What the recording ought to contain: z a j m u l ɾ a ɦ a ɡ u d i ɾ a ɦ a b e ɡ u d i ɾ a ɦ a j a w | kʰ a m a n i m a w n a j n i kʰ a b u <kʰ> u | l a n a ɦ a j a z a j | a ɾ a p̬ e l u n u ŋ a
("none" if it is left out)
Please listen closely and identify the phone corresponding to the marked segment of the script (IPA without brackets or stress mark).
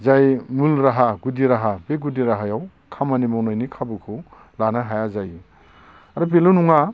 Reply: kʰ